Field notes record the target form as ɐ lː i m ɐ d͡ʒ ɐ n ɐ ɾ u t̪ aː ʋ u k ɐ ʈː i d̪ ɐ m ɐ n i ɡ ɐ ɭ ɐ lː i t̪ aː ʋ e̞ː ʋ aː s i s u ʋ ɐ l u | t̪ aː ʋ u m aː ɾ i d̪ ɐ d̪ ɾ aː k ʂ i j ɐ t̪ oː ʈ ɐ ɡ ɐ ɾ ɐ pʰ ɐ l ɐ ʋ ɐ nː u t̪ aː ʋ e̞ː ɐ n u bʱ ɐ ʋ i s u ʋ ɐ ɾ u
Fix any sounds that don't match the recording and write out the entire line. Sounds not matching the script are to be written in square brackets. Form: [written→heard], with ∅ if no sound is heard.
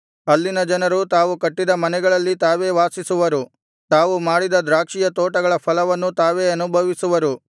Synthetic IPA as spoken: ɐ lː i [m→n] ɐ d͡ʒ ɐ n ɐ ɾ u t̪ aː ʋ u k ɐ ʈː i d̪ ɐ m ɐ n [i→ɛ] ɡ ɐ ɭ ɐ lː i t̪ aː ʋ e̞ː ʋ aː s i s u ʋ ɐ [l→ɾ] u | t̪ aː ʋ u m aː [ɾ→ɽ] i d̪ ɐ d̪ ɾ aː k ʂ i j ɐ t̪ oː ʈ ɐ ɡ ɐ [ɾ→ɭ] ɐ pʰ ɐ l ɐ ʋ ɐ nː u t̪ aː ʋ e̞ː ɐ n u bʱ ɐ ʋ i s u ʋ ɐ ɾ u